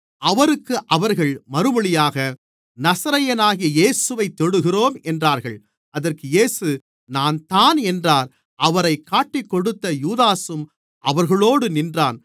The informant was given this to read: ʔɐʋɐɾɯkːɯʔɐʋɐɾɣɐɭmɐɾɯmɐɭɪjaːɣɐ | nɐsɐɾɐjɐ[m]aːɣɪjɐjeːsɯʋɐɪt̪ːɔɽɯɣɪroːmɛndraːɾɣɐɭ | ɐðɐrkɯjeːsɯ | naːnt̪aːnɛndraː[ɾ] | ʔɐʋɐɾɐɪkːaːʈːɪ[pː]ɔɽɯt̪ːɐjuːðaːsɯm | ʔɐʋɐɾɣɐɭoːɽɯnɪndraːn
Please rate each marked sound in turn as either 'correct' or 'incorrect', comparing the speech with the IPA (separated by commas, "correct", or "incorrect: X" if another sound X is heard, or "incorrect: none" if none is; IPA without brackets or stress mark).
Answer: incorrect: n, correct, incorrect: kː